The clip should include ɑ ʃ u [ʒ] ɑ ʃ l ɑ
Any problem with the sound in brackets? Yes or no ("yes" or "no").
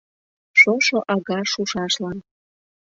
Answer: yes